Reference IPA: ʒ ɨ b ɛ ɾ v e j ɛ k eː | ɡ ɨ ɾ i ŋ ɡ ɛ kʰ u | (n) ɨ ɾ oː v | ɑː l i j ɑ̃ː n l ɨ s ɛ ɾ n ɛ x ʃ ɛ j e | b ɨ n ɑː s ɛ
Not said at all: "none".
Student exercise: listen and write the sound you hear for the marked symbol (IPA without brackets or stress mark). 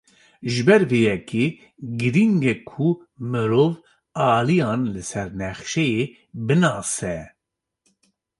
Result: m